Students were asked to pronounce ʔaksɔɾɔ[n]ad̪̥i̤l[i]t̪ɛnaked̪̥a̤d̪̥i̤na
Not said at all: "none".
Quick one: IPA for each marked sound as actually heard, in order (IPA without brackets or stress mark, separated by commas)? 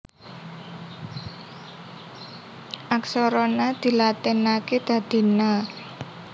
n, a